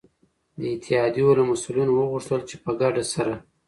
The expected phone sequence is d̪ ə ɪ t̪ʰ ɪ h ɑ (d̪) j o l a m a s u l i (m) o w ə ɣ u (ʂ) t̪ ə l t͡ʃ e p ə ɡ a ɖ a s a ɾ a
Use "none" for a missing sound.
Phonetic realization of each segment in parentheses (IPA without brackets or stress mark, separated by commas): d̪, n, ʂ